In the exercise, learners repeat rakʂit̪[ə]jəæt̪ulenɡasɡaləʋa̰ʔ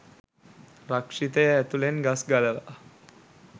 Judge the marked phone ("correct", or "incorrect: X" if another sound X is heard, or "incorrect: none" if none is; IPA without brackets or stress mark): correct